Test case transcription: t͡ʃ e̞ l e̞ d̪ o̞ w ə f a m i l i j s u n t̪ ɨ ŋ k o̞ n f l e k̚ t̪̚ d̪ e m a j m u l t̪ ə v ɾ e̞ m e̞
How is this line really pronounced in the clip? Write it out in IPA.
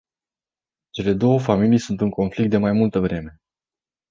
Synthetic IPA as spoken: t͡ʃ e̞ l e̞ d̪ o̞ w ə f a m i l i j s u n t̪ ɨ ŋ k o̞ n f l i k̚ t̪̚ d̪ e m a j m u l t̪ ə v ɾ e̞ m e̞